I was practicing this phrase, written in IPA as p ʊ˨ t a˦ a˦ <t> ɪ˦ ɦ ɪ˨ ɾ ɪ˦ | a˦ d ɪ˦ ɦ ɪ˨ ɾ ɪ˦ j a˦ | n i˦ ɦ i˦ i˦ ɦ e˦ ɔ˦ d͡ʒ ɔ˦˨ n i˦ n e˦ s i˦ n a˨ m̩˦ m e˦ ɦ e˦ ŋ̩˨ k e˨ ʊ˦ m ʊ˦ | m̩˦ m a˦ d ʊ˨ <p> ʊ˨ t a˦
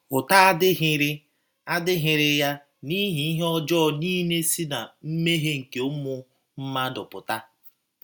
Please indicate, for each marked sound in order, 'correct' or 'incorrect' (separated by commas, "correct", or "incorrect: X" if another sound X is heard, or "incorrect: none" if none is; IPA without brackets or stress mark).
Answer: incorrect: d, correct